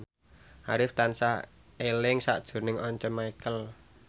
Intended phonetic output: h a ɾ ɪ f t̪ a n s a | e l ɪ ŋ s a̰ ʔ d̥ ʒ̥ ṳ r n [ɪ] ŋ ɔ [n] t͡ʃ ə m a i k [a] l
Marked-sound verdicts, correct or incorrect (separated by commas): correct, incorrect, incorrect